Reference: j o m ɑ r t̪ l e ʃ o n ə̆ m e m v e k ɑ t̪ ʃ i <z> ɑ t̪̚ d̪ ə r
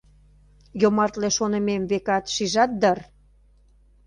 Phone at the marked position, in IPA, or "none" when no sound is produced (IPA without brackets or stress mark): ʒ